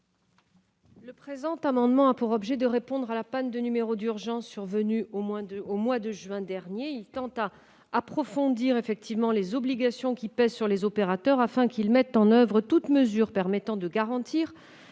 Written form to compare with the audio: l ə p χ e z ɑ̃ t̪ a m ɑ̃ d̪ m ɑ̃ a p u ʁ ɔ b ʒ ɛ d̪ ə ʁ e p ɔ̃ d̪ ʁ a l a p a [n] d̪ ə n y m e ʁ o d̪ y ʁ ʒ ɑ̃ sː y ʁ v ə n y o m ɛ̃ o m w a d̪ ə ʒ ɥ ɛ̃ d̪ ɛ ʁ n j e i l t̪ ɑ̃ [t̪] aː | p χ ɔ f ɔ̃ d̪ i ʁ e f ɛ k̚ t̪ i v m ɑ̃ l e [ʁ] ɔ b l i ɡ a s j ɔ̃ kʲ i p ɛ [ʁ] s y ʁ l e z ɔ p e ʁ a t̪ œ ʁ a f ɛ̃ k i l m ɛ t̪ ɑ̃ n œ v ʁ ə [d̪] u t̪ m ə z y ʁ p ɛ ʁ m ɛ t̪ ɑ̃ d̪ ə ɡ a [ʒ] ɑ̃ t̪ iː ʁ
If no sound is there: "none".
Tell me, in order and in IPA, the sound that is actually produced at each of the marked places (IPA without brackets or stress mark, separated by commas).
n, t̪, z, z, t̪, ʁ